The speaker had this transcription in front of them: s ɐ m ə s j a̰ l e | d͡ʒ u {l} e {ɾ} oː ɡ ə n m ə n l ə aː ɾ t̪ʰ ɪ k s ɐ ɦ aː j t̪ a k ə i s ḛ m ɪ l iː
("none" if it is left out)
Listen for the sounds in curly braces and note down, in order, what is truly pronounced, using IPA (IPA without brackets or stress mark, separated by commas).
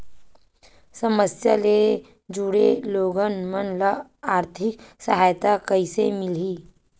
ɽ, l